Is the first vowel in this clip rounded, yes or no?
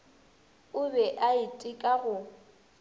yes